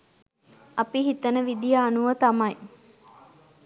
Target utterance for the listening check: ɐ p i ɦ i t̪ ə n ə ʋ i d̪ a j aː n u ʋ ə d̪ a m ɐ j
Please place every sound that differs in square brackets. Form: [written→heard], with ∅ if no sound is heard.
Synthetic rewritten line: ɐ p i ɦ i t̪ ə n ə ʋ i d̪ [a→i] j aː n u ʋ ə [d̪→t̪] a m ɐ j

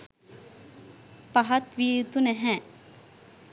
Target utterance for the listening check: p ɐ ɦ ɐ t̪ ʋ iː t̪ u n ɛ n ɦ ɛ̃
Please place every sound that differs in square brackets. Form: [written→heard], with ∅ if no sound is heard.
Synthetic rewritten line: p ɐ ɦ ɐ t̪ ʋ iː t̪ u n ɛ [n→∅] ɦ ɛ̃

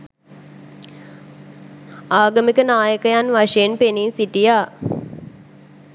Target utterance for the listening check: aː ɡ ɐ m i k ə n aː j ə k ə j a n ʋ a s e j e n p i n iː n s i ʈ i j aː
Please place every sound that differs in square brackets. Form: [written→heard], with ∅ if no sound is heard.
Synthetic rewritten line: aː ɡ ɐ m i k ə n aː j ə k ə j a n ʋ a [s→ʂ] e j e n p [i→e] n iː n s i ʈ i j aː

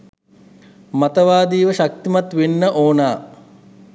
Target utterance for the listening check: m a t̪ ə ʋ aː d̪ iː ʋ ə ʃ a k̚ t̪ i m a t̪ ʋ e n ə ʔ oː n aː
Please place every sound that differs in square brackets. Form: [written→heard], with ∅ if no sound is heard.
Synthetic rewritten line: m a t̪ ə ʋ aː d̪ iː ʋ ə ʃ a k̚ t̪ i m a t̪ ʋ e [n→nː] ə ʔ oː n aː

